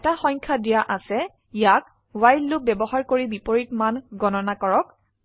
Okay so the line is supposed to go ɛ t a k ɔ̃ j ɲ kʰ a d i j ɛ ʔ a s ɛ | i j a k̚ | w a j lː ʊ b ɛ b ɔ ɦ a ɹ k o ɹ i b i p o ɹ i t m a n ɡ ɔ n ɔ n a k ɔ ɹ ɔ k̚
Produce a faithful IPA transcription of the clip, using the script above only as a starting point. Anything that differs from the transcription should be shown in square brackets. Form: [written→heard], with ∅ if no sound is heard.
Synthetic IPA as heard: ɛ t a [k→x] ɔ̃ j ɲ kʰ a d i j [ɛ→a] ʔ a s ɛ | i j a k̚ | w a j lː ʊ b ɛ b ɔ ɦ a ɹ k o ɹ i b i p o ɹ i t m a n ɡ ɔ n ɔ n a k ɔ ɹ ɔ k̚